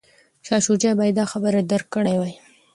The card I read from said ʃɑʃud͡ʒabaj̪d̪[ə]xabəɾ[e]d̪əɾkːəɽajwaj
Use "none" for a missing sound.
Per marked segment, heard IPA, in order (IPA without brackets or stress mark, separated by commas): ɑ, a